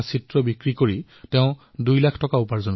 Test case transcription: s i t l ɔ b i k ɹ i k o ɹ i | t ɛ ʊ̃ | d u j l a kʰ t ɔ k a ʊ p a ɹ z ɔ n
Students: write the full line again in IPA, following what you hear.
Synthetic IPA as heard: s i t ɹ ɔ b i k ɹ i k o ɹ i | t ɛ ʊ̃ | d u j l a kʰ t ɔ k a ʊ p a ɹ z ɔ n

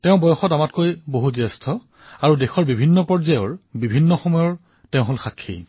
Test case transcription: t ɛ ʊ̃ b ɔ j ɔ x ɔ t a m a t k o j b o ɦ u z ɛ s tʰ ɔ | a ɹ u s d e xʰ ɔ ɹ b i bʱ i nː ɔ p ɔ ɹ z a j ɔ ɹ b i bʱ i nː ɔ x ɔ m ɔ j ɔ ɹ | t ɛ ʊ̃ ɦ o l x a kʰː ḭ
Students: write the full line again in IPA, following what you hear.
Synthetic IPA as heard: t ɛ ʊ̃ b ɔ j ɔ x ɔ t a m a t k o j b o ɦ u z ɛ s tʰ ɔ | a ɹ u d e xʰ ɔ ɹ b i bʱ i nː ɔ p ɔ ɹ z a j ɔ ɹ b i bʱ i nː ɔ x ɔ m ɔ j ɔ ɹ | t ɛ ʊ̃ ɦ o l x a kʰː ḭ

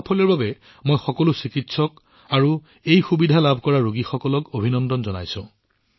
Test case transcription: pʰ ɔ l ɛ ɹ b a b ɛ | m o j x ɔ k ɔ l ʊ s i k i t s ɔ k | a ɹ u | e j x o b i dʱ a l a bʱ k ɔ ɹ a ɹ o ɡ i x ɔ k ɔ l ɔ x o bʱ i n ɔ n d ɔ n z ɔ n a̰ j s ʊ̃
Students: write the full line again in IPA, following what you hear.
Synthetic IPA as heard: pʰ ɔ l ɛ ɹ b a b ɛ | m o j x ɔ k ɔ l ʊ s i k i t s ɔ k | a ɹ u | e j x u b i dʱ a l a bʱ k ɔ ɹ a ɹ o ɡ i x ɔ k ɔ l ɔ k o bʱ i n ɔ n d ɔ n z ɔ n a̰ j s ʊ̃

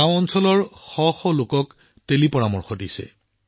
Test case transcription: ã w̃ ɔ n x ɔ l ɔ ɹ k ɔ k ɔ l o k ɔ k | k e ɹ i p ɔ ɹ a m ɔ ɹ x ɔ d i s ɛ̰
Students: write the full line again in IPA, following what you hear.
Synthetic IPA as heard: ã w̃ ɔ n s ɔ l ɔ ɹ x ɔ x ɔ l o k ɔ k | t e l i p ɔ ɹ a m ɔ ɹ x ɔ d i s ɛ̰

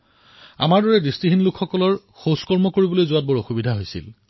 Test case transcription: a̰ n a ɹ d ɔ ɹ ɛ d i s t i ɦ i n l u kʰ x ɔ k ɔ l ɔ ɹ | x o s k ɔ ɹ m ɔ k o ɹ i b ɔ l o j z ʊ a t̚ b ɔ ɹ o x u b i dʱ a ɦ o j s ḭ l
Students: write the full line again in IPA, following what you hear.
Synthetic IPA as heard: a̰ m a ɹ d ɔ ɹ ɛ d i s t i ɦ i n l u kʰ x ɔ k ɔ l ɔ ɹ | x o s k ɔ ɹ m ɔ k o ɹ i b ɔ l o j z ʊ a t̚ b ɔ ɹ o x u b i dʱ a ɦ o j s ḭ l

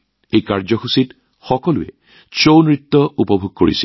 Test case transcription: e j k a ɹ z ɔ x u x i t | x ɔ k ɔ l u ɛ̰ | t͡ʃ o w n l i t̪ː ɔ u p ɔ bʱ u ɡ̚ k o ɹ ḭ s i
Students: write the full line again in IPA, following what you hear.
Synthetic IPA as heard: e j k a ɹ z ɔ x u s i t | x ɔ k ɔ l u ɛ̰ | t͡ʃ o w n ɹ i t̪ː ɔ u p ɔ bʱ u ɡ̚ k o ɹ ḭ s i

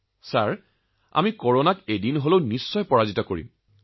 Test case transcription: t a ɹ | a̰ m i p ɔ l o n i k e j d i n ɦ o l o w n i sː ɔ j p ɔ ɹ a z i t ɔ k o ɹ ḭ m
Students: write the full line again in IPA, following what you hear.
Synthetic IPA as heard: s a ɹ | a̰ m i k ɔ ɹ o n a k e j d i n ɦ o l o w n i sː ɔ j p ɔ ɹ a z i t ɔ k o ɹ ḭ m

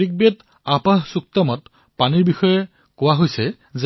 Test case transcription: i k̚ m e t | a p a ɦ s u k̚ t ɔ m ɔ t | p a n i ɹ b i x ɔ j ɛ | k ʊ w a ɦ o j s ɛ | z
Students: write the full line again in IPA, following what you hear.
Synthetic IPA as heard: i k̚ b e t | a p a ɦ s u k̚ t ɔ m ɔ t | p a n i ɹ b i x ɔ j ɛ | k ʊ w a ɦ o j s ɛ | z

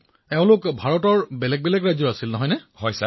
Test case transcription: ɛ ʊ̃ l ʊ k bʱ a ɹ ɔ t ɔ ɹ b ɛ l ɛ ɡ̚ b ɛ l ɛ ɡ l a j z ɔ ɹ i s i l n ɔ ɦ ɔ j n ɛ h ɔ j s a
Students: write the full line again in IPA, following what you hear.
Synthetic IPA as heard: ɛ ʊ̃ l ʊ k bʱ a ɹ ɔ t ɔ ɹ b ɛ l ɛ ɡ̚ b ɛ l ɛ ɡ ɹ a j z ɔ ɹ a s i l n ɔ ɦ ɔ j n ɛ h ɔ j s a

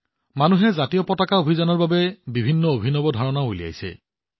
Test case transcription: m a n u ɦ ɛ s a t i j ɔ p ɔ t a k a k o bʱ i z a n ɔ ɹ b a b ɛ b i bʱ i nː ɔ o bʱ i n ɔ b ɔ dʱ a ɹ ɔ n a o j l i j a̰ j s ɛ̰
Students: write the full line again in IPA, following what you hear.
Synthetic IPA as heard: m a n u ɦ ɛ z a t i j ɔ p ɔ t a k a o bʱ i z a n ɔ ɹ b a b ɛ b i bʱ i nː ɔ o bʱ i n ɔ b ɔ dʱ a ɹ ɔ n a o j l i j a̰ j s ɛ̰

